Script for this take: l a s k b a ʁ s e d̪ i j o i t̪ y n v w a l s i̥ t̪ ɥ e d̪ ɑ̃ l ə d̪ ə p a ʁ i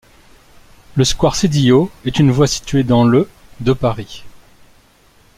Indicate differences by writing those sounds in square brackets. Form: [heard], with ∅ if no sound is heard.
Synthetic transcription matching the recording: l [ə] s k [w] a ʁ s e d̪ i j o [ɛ] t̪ y n v w a [∅] s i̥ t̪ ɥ e d̪ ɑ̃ l ə d̪ ə p a ʁ i

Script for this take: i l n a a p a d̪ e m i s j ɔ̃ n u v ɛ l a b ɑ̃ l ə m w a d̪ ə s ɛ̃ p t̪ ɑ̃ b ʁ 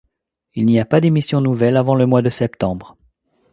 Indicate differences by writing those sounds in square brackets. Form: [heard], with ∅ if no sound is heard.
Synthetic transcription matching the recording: i l n [i] a p a d̪ e m i s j ɔ̃ n u v ɛ l a [v] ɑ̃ l ə m w a d̪ ə s [ɛ] p t̪ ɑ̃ b ʁ

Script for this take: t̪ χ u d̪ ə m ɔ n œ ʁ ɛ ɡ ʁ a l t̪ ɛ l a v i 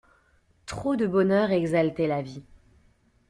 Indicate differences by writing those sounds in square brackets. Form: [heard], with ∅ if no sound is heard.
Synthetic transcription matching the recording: t̪ χ [o] d̪ ə [b] ɔ n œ ʁ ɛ ɡ [z] a l t̪ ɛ l a v i

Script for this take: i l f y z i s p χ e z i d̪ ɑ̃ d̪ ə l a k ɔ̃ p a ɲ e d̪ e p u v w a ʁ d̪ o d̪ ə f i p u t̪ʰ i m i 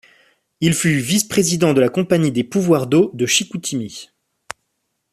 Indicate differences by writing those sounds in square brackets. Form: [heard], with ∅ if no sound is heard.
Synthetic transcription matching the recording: i l f y [v] i s p χ e z i d̪ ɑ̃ d̪ ə l a k ɔ̃ p a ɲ [i] d̪ e p u v w a ʁ d̪ o d̪ ə [ʃ] i [k] u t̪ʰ i m i

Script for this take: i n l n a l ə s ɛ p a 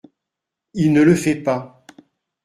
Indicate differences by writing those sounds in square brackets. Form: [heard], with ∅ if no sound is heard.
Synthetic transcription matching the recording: i [∅] l n [ə] l ə [f] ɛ p a

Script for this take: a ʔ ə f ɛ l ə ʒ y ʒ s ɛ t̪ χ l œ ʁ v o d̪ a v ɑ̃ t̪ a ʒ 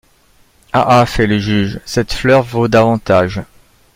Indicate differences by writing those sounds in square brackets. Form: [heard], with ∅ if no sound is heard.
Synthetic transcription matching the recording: a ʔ [a] f ɛ l ə ʒ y ʒ s ɛ t̪ [f] l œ ʁ v o d̪ a v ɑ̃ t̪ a ʒ

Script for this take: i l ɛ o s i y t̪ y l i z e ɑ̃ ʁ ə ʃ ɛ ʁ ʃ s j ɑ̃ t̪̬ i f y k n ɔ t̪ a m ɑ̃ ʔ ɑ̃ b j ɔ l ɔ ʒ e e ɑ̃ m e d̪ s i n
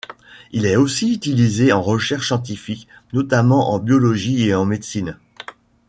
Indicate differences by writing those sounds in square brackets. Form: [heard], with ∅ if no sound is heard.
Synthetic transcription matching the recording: i l ɛ o s i y t̪ [i] l i z e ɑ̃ ʁ ə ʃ ɛ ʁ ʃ s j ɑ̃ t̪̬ i f [i] k n ɔ t̪ a m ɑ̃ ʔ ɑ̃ b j ɔ l ɔ ʒ [i] e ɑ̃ m e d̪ s i n

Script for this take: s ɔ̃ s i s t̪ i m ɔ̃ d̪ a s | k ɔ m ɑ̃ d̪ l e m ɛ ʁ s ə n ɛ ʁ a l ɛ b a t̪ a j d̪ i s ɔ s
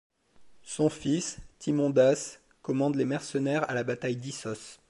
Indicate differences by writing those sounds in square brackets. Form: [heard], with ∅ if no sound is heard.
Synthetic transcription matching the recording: s ɔ̃ [f] i s t̪ i m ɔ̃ d̪ a s | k ɔ m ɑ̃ d̪ l e m ɛ ʁ s ə n ɛ ʁ a l [a] b a t̪ a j d̪ i s ɔ s

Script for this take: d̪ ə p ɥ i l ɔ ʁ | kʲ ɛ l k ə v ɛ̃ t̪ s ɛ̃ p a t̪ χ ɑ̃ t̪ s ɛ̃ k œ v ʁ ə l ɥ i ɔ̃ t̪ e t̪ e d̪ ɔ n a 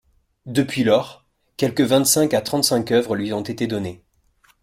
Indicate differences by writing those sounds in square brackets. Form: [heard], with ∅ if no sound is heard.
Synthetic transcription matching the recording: d̪ ə p ɥ i l ɔ ʁ | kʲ ɛ l k ə v ɛ̃ t̪ s ɛ̃ [k] a t̪ χ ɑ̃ t̪ s ɛ̃ k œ v ʁ ə l ɥ i ɔ̃ t̪ e t̪ e d̪ ɔ n [e]

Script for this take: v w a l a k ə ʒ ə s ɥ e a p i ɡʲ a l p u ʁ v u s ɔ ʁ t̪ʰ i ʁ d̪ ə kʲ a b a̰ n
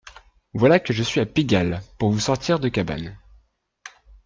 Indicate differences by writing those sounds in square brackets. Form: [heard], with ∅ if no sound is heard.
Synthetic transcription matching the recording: v w a l a k ə ʒ ə s ɥ [i] a p i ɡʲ a l p u ʁ v u s ɔ ʁ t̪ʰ i ʁ d̪ ə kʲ a b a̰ n

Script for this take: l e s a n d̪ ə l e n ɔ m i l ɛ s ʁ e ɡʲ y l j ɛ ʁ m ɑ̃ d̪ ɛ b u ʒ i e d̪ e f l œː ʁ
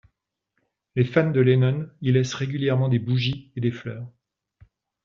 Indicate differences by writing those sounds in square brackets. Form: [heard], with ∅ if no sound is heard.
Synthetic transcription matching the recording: l e [f] a n d̪ ə l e n ɔ [n] i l ɛ s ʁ e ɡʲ y l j ɛ ʁ m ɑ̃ d̪ [e] b u ʒ i e d̪ e f l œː ʁ

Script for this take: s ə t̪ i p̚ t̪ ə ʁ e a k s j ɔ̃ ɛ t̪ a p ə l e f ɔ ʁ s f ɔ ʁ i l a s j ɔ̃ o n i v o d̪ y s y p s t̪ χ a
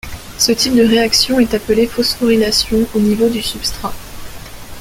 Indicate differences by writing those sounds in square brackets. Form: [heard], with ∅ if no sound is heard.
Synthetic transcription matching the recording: s ə t̪ i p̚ [d̪] ə ʁ e a k s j ɔ̃ ɛ t̪ a p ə l e f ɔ [∅] s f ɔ ʁ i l a s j ɔ̃ o n i v o d̪ y s y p s t̪ χ a

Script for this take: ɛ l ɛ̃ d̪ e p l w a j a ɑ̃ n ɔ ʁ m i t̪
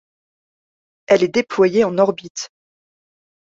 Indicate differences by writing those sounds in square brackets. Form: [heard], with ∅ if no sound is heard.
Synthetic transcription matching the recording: ɛ l [ɛ] d̪ e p l w a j [e] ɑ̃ n ɔ ʁ [b] i t̪

